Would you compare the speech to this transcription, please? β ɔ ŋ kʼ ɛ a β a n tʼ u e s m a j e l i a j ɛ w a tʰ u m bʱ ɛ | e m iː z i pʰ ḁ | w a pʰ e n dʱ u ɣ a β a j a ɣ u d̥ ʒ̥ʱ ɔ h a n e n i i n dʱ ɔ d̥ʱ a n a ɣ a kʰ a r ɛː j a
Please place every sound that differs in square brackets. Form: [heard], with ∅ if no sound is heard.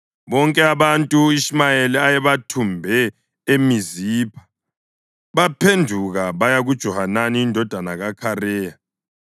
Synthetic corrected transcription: β ɔ ŋ kʼ ɛ a β a n tʼ u [i] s m a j e l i a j ɛ [β] a tʰ u m bʱ ɛ | e m [i] z i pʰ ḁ | [β] a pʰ e n dʱ u ɣ a β a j a ɣ u d̥ ʒ̥ʱ ɔ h a n [a] n i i n dʱ ɔ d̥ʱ a n a ɣ a kʰ a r ɛː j a